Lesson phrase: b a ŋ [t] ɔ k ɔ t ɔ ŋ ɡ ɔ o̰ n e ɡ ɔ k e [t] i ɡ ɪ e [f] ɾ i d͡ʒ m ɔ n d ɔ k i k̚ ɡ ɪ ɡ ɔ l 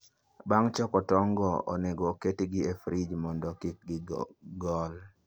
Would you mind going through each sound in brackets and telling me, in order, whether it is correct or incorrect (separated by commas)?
incorrect, correct, correct